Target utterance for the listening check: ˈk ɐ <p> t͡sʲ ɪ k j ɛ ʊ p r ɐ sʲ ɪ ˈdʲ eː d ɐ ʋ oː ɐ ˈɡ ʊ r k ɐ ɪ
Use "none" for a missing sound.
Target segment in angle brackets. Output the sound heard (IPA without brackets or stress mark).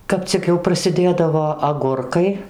p